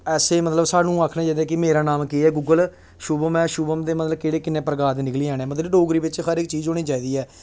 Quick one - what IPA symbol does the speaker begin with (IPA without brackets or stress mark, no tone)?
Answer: ɛː